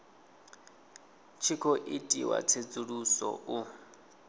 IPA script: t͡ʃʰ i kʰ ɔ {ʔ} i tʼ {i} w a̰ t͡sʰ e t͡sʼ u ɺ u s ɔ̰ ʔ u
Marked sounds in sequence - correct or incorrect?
correct, correct

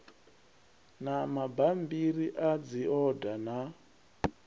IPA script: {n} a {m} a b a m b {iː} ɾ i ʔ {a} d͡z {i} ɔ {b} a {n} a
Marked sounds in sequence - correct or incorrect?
correct, correct, incorrect, correct, correct, incorrect, correct

